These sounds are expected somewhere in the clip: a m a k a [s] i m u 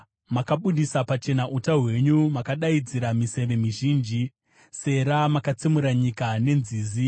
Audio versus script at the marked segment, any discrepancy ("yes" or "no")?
yes